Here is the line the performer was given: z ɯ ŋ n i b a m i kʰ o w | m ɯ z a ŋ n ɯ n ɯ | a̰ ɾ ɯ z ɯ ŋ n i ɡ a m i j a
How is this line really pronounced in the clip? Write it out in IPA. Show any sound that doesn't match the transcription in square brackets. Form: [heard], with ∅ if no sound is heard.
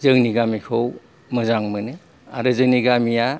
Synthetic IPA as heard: z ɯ ŋ n i [ɡ] a m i kʰ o w | m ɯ z a ŋ [m] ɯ n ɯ | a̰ ɾ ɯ z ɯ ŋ n i ɡ a m i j a